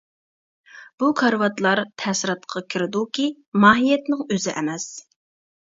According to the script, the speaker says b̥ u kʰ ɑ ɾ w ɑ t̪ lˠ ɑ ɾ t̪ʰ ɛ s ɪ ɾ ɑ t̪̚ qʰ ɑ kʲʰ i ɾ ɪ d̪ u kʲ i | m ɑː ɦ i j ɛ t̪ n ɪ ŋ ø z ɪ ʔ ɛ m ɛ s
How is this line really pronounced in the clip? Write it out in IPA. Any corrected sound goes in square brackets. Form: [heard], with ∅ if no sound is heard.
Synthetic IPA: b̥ u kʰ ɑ ɾ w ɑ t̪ lˠ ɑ ɾ t̪ʰ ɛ s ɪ ɾ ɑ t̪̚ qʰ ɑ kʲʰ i ɾ ɪ d̪ u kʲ i | m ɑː ɦ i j ɛ t̪ n ɪ ŋ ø z ɪ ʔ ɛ m ɛ s